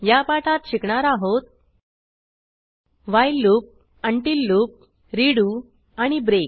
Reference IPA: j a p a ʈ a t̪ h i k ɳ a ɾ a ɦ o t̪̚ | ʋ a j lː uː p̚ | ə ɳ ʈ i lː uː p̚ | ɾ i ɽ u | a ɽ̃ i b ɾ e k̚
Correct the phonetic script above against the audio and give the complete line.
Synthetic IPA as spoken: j a p a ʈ a t̪ ɕ i k ɳ a ɾ a ɦ o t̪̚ | ʋ a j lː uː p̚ | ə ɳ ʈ i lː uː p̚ | ɾ i ɽ u | a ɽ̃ i b ɾ e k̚